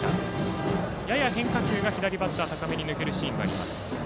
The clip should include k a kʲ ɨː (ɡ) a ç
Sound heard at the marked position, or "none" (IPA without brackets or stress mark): ɡ